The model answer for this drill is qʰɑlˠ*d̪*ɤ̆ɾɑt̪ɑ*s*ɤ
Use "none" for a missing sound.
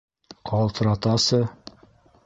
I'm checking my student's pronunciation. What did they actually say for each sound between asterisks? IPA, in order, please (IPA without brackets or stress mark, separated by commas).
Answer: t̪, s